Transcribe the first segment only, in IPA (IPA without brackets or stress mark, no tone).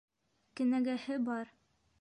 k